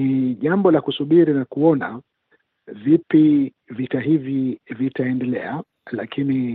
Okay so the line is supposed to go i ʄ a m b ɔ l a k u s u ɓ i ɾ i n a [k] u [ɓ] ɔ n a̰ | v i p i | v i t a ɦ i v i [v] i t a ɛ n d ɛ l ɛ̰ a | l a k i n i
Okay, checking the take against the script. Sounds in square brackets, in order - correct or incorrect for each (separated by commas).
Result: correct, incorrect, correct